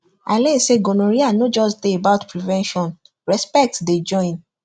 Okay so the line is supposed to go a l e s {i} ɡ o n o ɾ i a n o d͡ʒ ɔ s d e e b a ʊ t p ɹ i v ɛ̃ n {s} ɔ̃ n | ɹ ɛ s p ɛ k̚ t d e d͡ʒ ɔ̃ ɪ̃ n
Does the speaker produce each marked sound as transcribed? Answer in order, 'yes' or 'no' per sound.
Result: no, no

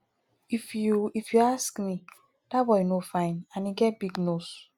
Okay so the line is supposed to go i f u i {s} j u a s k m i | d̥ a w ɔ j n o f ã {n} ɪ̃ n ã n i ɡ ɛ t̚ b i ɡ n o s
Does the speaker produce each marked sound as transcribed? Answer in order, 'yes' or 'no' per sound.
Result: no, no

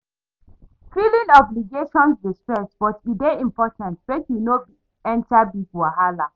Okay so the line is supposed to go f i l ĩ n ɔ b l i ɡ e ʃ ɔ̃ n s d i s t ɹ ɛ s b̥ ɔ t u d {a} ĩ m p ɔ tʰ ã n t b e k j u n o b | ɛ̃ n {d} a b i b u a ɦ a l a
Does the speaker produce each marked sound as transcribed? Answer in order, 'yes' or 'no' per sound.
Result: no, no

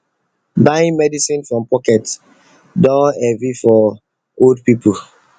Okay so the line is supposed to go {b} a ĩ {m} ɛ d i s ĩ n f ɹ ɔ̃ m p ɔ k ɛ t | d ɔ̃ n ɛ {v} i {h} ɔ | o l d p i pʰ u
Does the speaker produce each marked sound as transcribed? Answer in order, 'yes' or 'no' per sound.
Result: yes, yes, yes, no

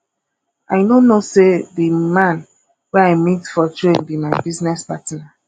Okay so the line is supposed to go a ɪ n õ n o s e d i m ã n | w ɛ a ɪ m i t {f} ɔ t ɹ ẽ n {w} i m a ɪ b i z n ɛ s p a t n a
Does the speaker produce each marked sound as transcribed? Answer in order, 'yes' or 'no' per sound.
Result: yes, no

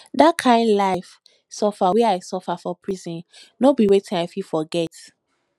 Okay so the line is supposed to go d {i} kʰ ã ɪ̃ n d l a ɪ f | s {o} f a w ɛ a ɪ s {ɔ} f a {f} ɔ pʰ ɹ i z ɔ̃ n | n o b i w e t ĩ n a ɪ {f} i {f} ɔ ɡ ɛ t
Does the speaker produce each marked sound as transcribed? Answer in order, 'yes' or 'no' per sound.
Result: no, no, yes, yes, yes, yes

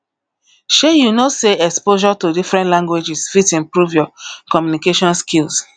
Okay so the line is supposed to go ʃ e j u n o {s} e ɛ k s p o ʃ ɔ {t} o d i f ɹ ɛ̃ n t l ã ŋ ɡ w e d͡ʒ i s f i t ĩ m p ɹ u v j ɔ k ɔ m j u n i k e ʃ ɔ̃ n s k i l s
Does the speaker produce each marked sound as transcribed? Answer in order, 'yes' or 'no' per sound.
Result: yes, yes

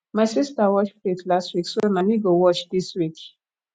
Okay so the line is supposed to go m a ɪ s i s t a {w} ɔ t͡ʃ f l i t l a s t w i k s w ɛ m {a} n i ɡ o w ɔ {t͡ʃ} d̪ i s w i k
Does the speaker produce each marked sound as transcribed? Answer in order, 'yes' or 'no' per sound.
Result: yes, yes, yes

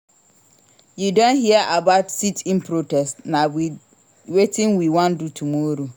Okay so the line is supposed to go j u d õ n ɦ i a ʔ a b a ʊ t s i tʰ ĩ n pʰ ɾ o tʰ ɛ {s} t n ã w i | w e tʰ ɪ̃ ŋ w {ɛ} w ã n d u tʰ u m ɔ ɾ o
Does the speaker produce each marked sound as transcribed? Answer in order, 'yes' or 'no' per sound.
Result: yes, no

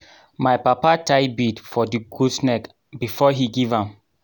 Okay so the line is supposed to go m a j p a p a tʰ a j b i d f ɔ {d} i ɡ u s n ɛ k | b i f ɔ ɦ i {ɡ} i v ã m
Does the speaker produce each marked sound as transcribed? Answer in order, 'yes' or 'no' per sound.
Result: yes, yes

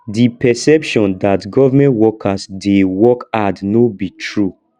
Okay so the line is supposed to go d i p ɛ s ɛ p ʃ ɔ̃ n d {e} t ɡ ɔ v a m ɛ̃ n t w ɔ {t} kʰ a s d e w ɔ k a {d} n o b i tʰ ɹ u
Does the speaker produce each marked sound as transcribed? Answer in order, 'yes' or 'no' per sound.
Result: no, no, yes

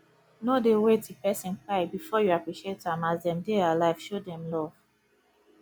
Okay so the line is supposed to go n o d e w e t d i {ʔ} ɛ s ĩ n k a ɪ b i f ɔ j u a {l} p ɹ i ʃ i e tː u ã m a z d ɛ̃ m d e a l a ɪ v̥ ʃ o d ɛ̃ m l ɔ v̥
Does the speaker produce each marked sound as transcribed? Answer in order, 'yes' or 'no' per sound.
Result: no, no

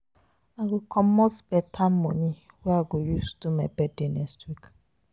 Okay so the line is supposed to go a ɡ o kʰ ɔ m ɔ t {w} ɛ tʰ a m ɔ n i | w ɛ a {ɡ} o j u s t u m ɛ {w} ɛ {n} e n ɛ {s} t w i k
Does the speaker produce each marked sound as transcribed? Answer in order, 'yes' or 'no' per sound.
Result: no, yes, no, no, yes

